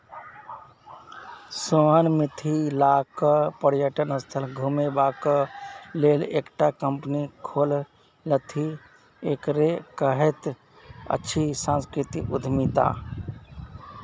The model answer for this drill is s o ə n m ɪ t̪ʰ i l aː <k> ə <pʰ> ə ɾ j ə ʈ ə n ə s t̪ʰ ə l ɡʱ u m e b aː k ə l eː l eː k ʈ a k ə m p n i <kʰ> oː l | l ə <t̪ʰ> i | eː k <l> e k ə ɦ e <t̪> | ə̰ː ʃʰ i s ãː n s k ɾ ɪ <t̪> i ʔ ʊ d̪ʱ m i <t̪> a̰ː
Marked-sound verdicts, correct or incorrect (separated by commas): correct, incorrect, correct, correct, incorrect, correct, correct, correct